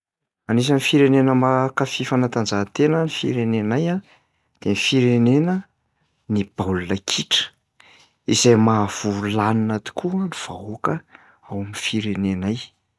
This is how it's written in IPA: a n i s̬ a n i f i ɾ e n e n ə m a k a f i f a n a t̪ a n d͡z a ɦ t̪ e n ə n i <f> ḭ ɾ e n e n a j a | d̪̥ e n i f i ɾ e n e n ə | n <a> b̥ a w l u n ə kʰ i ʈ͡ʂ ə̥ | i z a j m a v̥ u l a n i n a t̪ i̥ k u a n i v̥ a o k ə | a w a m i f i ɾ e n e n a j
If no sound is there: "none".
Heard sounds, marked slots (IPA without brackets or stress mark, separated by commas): f, i